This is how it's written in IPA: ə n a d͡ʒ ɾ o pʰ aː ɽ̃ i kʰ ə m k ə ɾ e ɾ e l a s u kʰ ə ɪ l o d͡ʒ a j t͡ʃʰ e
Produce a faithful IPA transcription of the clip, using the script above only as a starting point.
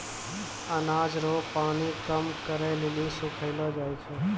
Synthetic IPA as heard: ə n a d͡ʒ ɾ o p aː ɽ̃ i k ə m k ə ɾ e l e l i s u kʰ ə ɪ l o d͡ʒ a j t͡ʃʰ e